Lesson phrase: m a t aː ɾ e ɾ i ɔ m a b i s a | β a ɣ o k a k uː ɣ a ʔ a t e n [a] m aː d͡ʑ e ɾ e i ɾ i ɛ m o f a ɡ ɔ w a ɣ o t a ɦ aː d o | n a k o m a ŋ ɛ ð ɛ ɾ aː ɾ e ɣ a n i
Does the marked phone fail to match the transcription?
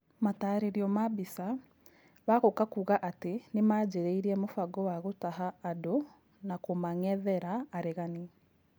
yes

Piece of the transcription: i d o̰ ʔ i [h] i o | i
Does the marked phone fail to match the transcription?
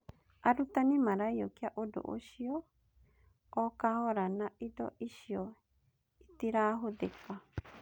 yes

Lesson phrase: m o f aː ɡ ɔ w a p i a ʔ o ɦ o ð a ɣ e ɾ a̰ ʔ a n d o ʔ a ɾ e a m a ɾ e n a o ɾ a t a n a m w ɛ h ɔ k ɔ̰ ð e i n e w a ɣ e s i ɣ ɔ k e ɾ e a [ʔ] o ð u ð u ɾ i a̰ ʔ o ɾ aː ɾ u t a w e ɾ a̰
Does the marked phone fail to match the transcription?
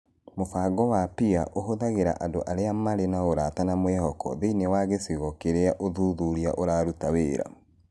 no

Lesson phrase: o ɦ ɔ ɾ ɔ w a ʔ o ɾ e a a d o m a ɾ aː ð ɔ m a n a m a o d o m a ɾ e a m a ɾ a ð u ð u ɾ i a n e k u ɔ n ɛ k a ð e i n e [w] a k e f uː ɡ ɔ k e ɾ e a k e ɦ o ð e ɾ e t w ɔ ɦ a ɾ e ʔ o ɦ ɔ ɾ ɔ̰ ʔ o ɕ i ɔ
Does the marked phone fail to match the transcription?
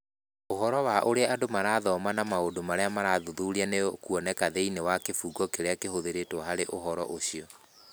no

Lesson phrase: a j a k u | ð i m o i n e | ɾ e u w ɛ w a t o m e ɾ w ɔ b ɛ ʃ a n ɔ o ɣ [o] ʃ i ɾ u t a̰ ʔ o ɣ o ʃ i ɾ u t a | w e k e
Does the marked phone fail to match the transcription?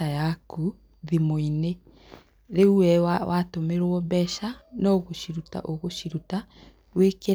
no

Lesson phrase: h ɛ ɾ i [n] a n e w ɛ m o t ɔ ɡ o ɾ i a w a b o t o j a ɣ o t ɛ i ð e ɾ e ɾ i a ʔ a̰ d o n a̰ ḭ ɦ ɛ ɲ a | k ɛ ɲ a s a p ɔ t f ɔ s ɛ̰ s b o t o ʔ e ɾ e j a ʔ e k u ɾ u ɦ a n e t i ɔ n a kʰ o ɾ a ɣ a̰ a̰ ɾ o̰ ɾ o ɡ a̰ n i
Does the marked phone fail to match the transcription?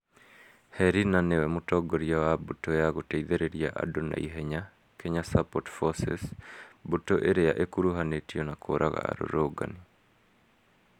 no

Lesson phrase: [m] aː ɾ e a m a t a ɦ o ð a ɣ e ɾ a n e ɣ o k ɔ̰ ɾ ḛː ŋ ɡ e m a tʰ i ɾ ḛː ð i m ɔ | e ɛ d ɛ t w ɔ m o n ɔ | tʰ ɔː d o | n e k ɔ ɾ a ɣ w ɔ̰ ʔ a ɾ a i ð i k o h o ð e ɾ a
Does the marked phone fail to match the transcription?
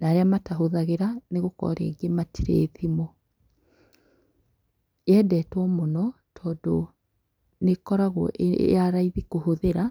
yes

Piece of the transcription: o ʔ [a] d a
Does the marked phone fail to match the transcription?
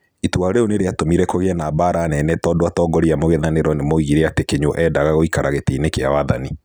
yes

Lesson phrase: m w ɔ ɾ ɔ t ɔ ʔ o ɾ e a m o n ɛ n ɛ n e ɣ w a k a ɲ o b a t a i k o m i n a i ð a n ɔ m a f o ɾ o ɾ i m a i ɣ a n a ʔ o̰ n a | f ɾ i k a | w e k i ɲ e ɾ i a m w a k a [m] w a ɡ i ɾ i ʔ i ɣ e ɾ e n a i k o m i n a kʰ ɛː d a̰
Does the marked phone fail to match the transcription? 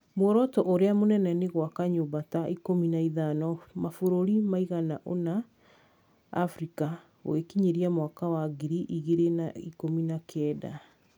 yes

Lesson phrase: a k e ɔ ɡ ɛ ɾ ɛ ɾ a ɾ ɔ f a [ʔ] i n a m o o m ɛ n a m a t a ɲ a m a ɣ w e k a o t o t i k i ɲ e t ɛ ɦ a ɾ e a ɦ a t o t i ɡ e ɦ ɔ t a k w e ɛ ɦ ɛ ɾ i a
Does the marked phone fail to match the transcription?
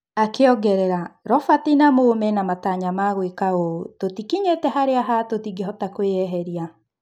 yes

